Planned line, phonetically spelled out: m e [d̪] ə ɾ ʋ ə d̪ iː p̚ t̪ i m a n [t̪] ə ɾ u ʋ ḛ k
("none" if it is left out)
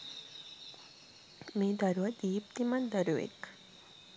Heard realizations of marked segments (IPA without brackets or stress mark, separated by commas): d̪, d̪